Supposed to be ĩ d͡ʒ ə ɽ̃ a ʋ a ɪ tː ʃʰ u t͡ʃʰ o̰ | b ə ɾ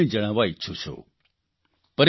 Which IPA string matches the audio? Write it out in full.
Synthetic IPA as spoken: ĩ d͡ʒ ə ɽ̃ a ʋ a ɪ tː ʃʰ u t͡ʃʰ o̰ | p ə ɾ